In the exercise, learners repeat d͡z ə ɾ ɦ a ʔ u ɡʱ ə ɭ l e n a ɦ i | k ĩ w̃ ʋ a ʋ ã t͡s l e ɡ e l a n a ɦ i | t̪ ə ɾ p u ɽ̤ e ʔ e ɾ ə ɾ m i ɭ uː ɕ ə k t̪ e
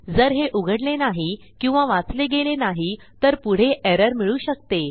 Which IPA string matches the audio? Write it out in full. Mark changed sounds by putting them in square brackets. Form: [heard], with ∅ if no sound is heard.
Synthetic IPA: d͡z ə ɾ ɦ [e] ʔ u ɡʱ ə [ɽ] l e n a ɦ i | k ĩ w̃ ʋ a ʋ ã t͡s l e ɡ e l [e] n a ɦ i | t̪ ə ɾ p u ɽ̤ e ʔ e ɾ ə ɾ m i ɭ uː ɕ ə k t̪ e